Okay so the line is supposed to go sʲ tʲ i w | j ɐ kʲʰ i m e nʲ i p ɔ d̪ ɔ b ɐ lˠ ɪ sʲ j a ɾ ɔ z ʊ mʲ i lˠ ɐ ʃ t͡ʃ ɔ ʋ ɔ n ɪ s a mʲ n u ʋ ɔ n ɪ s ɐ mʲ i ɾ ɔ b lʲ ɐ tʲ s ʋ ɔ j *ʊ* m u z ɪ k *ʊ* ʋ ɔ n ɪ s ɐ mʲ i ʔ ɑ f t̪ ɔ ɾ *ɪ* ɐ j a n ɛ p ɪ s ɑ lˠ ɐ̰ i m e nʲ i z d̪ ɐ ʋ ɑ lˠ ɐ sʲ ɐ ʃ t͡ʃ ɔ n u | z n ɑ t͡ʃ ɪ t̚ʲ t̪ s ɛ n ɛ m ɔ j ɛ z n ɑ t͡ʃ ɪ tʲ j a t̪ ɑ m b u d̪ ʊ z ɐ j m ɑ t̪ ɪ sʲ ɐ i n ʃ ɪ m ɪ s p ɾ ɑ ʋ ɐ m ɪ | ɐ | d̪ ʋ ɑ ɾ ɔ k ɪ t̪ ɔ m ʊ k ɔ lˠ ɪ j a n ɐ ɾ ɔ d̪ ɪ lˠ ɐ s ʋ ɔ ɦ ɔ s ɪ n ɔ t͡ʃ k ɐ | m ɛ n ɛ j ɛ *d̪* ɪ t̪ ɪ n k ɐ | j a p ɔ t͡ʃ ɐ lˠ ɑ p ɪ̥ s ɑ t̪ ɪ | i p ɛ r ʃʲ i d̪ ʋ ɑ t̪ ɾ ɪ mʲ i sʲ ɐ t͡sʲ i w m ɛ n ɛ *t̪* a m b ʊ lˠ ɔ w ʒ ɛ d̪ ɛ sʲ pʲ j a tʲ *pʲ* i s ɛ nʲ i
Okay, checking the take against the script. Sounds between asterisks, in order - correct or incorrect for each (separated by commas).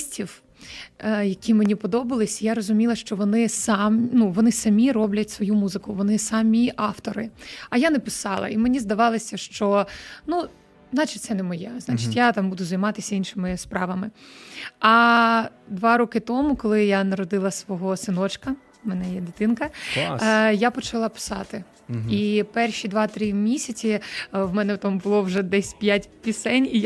incorrect, correct, correct, correct, correct, correct